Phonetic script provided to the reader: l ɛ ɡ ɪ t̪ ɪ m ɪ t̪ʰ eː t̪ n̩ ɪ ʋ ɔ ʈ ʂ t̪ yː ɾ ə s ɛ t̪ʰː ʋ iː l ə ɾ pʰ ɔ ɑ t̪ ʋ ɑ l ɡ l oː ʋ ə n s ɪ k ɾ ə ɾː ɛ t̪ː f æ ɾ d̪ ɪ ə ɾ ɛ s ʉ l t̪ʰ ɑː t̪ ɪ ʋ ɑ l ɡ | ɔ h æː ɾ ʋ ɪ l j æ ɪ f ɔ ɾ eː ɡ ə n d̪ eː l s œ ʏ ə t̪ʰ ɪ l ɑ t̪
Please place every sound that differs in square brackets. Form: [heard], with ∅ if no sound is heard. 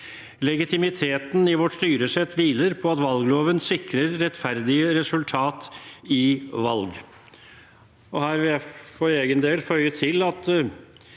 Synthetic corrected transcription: l ɛ ɡ ɪ t̪ ɪ m ɪ t̪ʰ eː t̪ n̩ ɪ ʋ ɔ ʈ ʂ t̪ yː ɾ ə s ɛ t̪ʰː ʋ iː l ə ɾ pʰ ɔ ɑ t̪ ʋ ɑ l ɡ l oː ʋ ə n s ɪ k ɾ ə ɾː ɛ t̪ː f æ ɾ d̪ ɪ ə ɾ ɛ s ʉ l t̪ʰ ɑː t̪ ɪ ʋ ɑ l ɡ | ɔ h æː ɾ ʋ ɪ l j æ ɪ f ɔ ɾ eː ɡ ə n d̪ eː l [f] œ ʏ ə t̪ʰ ɪ l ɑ t̪